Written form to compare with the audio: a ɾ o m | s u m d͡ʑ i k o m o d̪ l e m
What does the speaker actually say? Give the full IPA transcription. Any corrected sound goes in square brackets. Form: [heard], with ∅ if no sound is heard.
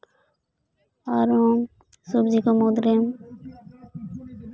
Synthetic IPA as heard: a ɾ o m | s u [b] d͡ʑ i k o m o d̪ [ɾ] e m